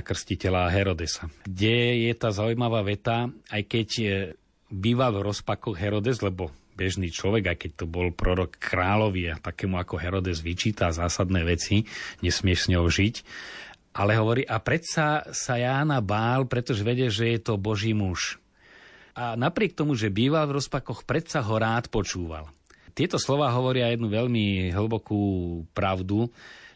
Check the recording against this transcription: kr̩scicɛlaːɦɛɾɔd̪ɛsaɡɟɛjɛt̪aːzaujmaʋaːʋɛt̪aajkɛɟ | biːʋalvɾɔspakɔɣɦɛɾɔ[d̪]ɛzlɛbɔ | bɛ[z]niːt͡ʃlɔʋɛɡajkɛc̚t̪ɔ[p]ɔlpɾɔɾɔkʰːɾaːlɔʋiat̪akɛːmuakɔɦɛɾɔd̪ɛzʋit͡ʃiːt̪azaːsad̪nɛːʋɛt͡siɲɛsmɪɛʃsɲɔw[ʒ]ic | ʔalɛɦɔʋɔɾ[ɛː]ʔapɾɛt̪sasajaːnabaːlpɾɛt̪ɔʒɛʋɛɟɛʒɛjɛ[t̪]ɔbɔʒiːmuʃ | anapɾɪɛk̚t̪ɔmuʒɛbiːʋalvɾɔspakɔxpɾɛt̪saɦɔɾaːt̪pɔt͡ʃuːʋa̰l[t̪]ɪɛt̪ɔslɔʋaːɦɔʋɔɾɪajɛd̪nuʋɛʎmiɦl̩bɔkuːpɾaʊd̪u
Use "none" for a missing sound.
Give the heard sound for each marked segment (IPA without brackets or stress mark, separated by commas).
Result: d̪, ʒ, b, ʒ, iː, t̪, t̪